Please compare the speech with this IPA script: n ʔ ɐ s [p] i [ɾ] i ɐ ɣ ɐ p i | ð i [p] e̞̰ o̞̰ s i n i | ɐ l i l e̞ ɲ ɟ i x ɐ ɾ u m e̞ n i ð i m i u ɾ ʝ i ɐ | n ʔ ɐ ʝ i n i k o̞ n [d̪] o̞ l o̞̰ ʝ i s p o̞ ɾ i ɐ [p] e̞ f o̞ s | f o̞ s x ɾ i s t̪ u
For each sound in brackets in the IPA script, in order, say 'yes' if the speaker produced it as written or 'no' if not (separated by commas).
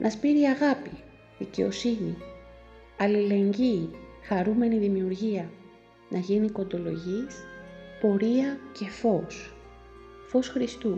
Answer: yes, yes, no, yes, no